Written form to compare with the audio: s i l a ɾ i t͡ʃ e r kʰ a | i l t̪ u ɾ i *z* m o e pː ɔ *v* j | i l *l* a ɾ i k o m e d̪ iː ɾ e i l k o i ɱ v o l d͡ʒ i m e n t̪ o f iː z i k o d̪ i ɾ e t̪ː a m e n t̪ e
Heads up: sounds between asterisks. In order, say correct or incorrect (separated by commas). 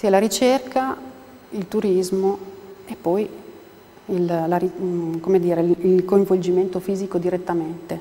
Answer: correct, incorrect, correct